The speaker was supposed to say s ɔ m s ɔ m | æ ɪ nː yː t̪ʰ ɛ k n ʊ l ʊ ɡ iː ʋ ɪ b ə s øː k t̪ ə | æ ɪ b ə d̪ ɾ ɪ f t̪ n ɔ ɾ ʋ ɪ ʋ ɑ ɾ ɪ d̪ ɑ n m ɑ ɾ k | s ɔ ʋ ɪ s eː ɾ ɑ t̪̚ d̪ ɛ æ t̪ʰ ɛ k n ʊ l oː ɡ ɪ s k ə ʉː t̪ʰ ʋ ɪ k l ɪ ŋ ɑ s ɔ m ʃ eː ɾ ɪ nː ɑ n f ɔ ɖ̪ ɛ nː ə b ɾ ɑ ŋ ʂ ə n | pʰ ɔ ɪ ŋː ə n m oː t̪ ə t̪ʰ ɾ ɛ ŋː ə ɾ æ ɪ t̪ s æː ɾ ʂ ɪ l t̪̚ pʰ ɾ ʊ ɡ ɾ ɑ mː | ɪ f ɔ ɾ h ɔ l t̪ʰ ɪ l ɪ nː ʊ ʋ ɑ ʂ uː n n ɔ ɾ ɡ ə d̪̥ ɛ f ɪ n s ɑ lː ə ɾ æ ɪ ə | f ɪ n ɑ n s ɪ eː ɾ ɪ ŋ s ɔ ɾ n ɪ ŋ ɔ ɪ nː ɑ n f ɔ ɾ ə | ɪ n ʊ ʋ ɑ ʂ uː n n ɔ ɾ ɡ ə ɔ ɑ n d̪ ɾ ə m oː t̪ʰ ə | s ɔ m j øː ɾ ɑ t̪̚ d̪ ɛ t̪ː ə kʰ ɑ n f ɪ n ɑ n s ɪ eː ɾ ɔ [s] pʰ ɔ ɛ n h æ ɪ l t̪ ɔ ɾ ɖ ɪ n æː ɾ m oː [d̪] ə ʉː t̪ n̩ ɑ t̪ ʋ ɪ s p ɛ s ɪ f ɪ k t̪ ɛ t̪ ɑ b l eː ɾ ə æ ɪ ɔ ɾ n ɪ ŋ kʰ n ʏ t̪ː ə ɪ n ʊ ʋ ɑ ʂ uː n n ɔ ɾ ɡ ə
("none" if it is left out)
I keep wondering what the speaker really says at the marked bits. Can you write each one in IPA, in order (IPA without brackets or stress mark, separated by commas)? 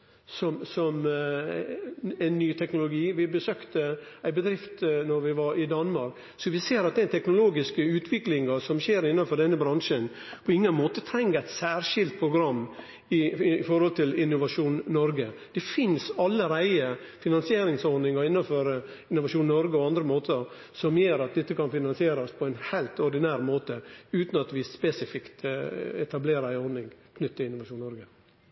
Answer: s, t̪